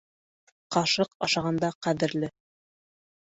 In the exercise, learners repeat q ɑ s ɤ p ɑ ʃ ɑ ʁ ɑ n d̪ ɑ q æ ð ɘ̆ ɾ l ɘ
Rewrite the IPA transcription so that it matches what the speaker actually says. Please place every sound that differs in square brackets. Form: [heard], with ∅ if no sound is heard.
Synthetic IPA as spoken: q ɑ [ʃ] ɤ [q] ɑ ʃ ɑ ʁ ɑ n d̪ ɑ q æ ð ɘ̆ ɾ l ɘ

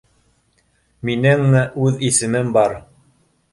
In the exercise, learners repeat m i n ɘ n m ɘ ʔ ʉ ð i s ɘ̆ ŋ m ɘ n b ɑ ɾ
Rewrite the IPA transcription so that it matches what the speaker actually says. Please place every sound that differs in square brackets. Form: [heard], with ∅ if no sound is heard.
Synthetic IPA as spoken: m i n ɘ [ŋ] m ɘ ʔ ʉ ð i s ɘ̆ [∅] m ɘ [m] b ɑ ɾ

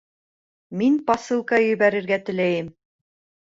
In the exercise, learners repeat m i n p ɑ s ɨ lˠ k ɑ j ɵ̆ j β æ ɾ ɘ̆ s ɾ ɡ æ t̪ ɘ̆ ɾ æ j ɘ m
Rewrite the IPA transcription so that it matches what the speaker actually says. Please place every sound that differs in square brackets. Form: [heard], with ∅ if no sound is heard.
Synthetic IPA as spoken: m i n p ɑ s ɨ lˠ k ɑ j ɵ̆ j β æ ɾ ɘ̆ [∅] ɾ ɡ æ t̪ ɘ̆ [l] æ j ɘ m

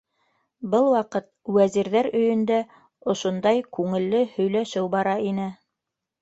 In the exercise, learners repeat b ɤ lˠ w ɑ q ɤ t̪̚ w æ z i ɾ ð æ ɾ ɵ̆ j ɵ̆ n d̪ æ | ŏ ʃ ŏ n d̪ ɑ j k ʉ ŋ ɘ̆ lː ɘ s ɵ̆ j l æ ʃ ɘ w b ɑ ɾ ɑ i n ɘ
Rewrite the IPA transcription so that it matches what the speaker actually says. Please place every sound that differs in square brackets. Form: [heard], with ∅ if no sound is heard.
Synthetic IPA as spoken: b ɤ lˠ w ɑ q ɤ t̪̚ w æ z i ɾ ð æ ɾ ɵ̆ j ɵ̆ n d̪ æ | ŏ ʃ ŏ n d̪ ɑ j k ʉ ŋ ɘ̆ lː ɘ [h] ɵ̆ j l æ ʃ ɘ w b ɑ ɾ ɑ i n ɘ

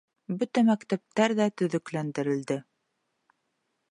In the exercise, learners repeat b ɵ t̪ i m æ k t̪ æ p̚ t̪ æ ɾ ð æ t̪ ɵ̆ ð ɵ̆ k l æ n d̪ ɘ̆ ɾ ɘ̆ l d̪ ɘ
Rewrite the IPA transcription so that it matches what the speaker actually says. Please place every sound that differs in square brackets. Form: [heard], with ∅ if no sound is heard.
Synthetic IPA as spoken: b ɵ t̪ [æ] m æ k t̪ æ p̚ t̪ æ ɾ ð æ t̪ ɵ̆ ð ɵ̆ k l æ n d̪ ɘ̆ ɾ ɘ̆ l d̪ ɘ

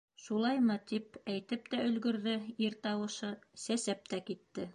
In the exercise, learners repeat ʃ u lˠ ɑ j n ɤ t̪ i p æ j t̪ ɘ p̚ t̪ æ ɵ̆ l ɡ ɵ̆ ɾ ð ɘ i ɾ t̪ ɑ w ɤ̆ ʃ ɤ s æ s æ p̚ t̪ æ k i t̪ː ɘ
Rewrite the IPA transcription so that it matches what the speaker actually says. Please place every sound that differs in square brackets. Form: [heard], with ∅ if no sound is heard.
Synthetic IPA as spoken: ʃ u lˠ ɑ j [m] ɤ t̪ i p æ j t̪ ɘ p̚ t̪ æ ɵ̆ l ɡ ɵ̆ ɾ ð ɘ i ɾ t̪ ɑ w ɤ̆ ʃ ɤ s æ s æ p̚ t̪ æ k i t̪ː ɘ

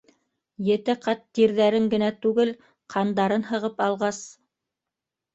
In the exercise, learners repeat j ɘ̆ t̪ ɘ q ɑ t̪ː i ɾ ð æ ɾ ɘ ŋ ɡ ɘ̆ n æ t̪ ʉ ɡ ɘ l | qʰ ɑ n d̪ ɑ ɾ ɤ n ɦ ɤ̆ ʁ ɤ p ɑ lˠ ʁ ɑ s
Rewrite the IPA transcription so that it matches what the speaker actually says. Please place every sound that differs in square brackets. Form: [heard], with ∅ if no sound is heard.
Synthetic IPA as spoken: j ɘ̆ t̪ ɘ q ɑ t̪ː i ɾ ð æ ɾ ɘ ŋ ɡ ɘ̆ n æ t̪ ʉ ɡ ɘ l | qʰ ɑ n d̪ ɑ ɾ ɤ n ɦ ɤ̆ ʁ ɤ p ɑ lˠ ʁ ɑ s

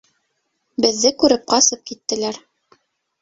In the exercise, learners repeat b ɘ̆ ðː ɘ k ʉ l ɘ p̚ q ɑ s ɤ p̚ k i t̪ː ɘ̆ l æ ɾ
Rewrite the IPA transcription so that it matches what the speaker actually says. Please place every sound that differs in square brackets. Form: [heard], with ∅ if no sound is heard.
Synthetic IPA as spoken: b ɘ̆ ðː ɘ k ʉ [ɾ] ɘ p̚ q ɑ s ɤ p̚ k i t̪ː ɘ̆ l æ ɾ

